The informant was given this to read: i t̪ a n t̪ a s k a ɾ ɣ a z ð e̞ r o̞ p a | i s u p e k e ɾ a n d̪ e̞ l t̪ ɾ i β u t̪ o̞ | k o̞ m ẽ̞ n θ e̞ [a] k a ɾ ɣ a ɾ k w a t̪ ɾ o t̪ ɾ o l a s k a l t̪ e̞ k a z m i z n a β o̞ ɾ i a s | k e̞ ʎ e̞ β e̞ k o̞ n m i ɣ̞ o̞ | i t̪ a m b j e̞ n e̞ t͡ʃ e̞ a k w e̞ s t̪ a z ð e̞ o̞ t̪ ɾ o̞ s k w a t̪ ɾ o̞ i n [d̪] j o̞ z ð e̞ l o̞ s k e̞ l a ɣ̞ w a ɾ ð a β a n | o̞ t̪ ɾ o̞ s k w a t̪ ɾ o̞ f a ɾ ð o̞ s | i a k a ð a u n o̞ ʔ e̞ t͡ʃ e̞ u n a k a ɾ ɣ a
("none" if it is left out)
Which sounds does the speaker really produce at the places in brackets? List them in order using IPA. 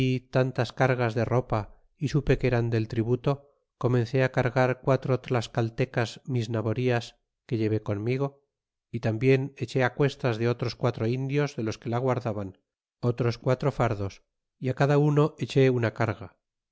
a, d̪

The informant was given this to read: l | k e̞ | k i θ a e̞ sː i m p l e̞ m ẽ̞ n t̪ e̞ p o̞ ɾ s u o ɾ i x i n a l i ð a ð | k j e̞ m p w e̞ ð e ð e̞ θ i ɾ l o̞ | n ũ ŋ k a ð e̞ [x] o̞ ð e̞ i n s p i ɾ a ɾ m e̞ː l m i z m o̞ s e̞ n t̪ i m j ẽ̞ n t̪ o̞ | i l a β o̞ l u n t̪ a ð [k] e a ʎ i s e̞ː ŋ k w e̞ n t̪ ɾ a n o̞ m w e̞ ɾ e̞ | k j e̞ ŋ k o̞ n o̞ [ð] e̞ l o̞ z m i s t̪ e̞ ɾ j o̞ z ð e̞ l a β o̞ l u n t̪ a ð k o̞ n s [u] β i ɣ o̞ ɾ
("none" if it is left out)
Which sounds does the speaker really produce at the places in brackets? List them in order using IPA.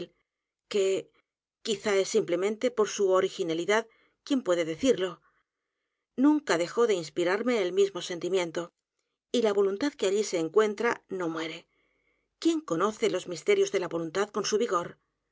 x, k, θ, u

